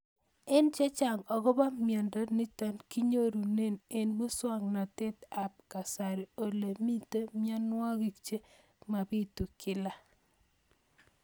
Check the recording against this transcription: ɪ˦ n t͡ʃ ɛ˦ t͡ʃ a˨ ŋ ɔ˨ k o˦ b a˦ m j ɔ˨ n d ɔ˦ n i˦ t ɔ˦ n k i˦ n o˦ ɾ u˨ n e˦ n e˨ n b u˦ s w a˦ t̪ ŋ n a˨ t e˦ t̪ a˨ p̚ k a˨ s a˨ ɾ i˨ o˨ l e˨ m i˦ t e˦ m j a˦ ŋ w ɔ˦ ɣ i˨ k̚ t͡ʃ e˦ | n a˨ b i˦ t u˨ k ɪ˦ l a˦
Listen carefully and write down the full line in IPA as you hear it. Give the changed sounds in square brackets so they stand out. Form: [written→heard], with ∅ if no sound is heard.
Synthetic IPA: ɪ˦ n t͡ʃ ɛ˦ t͡ʃ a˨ ŋ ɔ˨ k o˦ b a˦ m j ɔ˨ n d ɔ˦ n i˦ t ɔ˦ n k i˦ [n→ɲ] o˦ ɾ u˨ n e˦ n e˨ n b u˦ s w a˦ [t̪→∅] ŋ n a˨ t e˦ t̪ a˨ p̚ k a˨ s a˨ ɾ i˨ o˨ l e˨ m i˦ t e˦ m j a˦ [ŋ→n] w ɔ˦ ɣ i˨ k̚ t͡ʃ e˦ | [n→m] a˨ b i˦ t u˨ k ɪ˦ l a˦